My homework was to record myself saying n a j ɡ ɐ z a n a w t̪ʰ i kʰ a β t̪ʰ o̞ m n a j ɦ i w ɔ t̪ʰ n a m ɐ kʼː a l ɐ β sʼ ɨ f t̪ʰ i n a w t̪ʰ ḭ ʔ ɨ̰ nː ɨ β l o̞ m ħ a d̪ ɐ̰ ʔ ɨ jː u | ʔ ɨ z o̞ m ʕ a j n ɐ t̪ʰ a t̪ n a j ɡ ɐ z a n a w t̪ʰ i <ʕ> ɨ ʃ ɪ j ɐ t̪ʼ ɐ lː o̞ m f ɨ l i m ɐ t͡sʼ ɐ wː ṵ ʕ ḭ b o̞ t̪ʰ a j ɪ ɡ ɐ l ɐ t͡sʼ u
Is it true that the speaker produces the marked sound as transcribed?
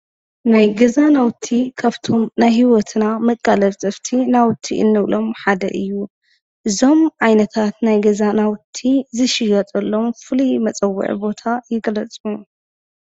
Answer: no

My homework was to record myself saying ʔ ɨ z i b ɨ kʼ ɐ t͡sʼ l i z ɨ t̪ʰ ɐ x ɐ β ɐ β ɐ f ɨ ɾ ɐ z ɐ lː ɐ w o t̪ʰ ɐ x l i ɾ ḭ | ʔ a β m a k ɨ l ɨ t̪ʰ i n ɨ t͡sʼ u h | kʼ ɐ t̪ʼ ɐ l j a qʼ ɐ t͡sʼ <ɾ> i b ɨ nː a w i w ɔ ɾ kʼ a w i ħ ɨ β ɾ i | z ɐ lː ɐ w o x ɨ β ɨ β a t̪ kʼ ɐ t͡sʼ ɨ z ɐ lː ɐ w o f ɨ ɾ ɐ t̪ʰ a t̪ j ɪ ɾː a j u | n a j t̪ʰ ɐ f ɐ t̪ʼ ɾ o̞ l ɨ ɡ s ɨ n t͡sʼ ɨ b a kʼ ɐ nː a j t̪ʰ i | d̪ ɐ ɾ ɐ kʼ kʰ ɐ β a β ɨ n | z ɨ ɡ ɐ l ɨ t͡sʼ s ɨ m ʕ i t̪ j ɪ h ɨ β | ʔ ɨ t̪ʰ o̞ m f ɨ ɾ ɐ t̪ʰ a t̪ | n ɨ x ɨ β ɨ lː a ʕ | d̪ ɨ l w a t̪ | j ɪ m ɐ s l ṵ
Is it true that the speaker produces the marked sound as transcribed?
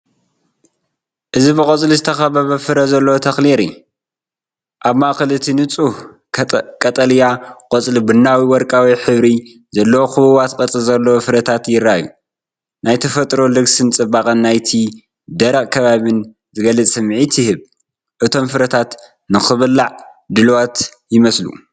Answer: no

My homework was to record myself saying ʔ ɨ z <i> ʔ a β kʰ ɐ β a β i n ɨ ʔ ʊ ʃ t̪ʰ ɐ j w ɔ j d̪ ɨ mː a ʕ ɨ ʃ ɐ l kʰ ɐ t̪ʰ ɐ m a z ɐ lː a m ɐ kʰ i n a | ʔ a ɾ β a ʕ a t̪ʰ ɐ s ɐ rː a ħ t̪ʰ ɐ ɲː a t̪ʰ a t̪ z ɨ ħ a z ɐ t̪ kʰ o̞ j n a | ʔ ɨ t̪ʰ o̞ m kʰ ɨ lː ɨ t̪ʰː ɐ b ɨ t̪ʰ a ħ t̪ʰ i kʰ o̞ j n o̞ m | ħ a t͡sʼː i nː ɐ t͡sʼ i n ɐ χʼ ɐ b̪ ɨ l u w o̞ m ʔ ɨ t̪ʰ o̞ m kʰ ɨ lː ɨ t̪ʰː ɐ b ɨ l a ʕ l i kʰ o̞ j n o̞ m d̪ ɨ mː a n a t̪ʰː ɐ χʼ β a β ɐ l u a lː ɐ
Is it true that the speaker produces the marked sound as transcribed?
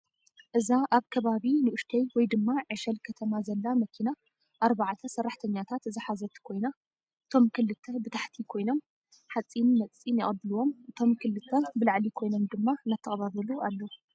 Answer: no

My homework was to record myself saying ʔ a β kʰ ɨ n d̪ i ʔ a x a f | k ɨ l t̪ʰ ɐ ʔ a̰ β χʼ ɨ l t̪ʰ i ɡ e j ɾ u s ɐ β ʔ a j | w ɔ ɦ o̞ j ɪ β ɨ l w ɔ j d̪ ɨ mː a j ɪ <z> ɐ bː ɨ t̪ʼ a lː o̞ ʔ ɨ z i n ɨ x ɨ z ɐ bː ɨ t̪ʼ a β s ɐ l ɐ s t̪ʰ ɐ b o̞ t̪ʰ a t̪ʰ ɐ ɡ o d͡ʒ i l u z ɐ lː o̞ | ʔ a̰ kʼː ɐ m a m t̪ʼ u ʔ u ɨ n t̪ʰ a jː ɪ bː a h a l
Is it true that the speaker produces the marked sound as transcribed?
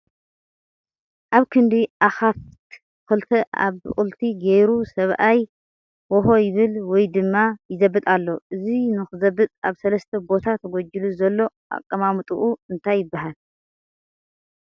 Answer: yes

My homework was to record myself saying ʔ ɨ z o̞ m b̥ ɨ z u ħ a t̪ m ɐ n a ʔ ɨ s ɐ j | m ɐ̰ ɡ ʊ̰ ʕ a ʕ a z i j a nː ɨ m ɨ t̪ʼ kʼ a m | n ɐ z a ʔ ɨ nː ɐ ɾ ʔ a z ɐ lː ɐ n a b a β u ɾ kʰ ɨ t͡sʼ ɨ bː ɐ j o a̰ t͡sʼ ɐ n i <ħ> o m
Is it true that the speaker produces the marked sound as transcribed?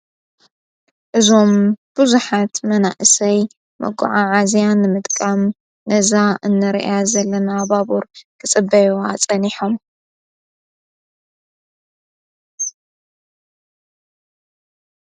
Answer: yes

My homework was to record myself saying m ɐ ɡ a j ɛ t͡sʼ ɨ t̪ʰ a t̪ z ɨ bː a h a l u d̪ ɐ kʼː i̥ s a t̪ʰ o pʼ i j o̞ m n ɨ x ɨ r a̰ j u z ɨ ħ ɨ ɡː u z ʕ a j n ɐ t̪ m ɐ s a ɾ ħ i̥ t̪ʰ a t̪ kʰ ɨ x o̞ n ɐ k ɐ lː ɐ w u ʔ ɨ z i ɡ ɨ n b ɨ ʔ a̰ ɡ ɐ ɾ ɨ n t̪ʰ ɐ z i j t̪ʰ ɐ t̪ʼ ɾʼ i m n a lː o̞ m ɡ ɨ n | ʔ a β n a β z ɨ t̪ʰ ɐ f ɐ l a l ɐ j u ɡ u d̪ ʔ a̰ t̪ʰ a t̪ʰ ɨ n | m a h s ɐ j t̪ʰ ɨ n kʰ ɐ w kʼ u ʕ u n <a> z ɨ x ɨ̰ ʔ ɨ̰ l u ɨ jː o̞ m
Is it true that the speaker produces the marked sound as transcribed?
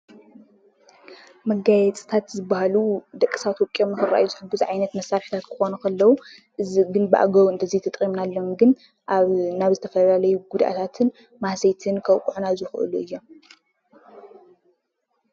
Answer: yes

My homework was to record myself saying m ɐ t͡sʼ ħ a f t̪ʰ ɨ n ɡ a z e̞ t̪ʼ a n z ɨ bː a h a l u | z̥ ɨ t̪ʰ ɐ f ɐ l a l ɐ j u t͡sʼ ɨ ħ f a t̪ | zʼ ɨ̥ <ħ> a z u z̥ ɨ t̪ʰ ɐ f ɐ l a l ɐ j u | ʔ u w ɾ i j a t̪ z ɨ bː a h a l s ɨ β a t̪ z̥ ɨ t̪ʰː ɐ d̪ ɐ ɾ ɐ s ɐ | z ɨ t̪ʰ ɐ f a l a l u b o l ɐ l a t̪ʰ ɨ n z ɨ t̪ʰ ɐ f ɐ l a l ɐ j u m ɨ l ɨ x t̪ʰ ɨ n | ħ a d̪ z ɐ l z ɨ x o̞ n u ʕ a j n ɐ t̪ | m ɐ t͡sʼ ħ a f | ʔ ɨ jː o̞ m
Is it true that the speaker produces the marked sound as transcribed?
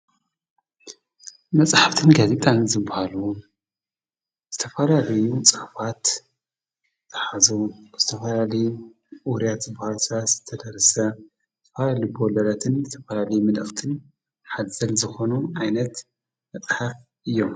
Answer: yes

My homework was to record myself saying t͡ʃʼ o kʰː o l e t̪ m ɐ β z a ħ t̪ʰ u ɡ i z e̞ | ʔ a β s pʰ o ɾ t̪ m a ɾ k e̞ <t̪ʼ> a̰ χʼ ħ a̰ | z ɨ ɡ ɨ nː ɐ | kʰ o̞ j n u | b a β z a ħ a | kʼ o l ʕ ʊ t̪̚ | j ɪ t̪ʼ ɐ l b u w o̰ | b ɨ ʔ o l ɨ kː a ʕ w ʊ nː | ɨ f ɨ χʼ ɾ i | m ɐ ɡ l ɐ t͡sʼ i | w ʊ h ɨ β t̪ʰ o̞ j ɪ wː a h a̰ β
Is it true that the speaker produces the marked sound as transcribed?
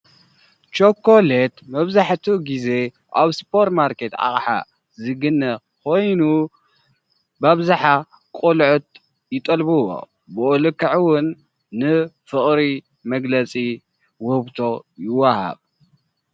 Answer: no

